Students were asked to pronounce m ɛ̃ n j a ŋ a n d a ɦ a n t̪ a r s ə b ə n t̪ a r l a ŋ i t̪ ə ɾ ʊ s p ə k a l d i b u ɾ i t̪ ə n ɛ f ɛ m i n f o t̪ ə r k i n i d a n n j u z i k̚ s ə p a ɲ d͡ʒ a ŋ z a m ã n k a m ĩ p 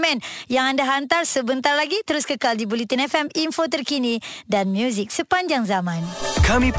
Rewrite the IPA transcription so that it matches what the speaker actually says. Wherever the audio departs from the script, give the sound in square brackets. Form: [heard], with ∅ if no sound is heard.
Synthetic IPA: m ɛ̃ n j a ŋ a n d a ɦ a n t̪ a r s ə b ə n t̪ a r l a [ɡ] i t̪ ə ɾ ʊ s [k] ə k a l d i b u [l] i t̪ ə n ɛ f ɛ m i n f o t̪ ə r k i n i d a n [m] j u z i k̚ s ə p a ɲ d͡ʒ a ŋ z a m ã n k a m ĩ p